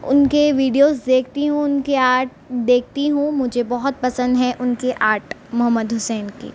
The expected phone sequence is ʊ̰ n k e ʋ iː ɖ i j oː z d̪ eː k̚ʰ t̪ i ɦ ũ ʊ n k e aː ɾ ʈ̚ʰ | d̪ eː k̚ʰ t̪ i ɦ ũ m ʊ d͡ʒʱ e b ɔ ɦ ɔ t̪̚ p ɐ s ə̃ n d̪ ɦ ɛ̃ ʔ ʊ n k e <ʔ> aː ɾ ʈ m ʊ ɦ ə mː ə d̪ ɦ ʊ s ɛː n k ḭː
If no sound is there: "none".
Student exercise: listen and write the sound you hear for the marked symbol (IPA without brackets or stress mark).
ʔ